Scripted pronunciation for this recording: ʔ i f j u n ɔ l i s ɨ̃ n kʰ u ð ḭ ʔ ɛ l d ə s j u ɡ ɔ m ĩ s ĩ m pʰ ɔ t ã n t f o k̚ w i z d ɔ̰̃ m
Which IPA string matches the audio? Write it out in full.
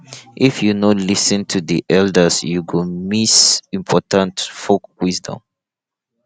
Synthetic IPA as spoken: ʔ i f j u n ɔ l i s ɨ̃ n tʰ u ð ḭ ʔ ɛ l d ə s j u ɡ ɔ m i s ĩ m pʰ ɔ t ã n t f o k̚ w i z d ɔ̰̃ m